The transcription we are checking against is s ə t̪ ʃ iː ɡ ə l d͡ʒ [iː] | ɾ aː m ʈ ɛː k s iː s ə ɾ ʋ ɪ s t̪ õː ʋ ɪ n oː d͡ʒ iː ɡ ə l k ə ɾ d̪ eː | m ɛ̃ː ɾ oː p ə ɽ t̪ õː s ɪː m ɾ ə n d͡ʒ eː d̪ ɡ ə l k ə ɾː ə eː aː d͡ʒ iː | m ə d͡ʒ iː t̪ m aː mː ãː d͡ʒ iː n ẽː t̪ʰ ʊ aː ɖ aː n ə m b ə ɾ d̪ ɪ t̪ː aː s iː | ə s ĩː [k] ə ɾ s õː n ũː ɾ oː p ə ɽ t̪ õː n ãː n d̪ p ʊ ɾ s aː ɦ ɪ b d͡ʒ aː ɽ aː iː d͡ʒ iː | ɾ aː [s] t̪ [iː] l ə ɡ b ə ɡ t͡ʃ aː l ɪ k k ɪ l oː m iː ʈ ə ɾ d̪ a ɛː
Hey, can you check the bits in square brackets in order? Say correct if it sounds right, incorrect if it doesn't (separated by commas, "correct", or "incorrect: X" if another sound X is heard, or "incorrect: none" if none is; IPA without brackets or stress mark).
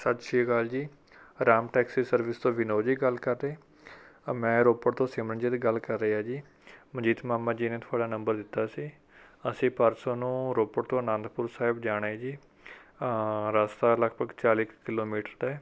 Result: correct, incorrect: p, correct, incorrect: aː